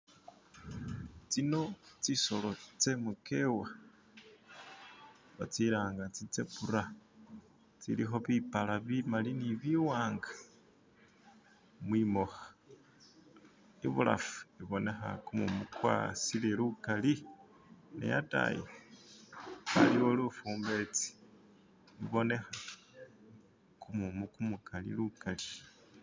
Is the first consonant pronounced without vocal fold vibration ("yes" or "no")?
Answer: yes